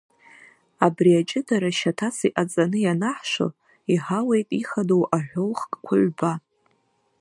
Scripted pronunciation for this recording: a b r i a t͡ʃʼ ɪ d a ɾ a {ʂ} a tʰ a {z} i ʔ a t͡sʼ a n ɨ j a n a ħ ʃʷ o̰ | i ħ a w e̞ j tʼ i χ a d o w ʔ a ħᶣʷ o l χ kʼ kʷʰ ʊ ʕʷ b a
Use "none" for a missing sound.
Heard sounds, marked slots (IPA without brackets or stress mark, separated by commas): ʃ, s